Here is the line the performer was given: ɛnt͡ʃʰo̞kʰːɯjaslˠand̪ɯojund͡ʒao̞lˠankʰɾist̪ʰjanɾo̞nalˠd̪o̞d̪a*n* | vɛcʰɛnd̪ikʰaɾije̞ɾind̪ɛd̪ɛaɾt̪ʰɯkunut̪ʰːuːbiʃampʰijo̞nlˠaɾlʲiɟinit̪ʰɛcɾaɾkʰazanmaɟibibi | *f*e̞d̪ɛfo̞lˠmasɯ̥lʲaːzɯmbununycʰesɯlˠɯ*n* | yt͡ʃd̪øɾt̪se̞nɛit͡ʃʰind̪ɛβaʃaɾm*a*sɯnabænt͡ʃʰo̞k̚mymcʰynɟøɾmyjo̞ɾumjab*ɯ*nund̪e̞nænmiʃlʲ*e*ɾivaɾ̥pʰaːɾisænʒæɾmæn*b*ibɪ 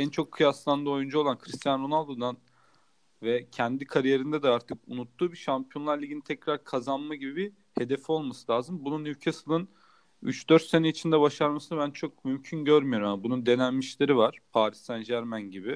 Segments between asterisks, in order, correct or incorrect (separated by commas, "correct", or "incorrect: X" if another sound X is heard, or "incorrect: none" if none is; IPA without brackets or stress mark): correct, incorrect: h, correct, correct, incorrect: u, correct, incorrect: ɟ